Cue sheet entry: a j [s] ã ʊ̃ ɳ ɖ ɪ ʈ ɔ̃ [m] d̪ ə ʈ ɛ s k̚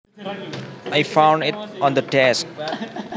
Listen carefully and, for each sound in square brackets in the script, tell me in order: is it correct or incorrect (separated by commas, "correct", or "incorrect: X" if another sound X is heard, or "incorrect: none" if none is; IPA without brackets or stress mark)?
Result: incorrect: f, incorrect: n